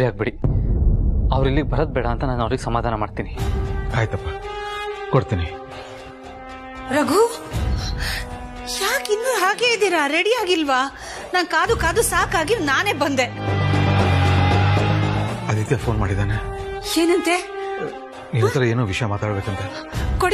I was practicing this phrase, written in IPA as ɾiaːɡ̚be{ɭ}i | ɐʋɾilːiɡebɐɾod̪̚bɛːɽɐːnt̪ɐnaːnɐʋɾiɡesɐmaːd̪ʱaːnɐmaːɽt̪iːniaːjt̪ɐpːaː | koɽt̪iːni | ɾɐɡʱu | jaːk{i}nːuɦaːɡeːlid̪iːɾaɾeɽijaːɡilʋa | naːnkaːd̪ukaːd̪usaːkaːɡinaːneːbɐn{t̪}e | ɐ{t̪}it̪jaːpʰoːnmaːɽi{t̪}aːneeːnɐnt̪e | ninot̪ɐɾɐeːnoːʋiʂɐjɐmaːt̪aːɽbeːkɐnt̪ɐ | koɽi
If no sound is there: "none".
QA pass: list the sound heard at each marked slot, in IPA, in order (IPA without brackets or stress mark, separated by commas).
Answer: ɽ, i, d̪, d̪, d̪